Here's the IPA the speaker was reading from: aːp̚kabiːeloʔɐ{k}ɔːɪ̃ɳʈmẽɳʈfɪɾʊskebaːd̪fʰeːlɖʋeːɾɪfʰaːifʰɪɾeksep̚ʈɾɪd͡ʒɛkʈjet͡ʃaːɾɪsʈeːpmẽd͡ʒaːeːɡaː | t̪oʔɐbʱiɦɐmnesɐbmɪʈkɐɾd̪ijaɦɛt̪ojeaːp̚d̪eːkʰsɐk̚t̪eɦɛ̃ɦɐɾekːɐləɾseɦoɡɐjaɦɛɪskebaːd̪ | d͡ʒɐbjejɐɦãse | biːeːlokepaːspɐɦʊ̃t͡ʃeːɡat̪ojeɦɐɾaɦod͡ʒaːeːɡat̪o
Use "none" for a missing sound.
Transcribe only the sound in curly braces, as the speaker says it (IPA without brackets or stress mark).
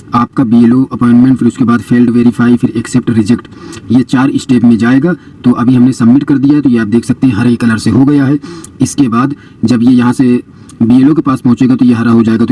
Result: p